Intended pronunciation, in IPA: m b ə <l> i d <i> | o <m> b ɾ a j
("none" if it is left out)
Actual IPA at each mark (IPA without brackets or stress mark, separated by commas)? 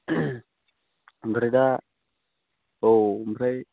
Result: ɾ, a, m